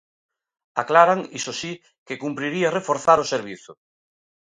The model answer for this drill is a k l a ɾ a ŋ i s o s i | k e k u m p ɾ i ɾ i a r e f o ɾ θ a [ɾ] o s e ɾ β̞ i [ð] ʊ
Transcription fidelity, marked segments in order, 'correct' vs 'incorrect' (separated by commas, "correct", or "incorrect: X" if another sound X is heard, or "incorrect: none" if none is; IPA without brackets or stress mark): correct, incorrect: θ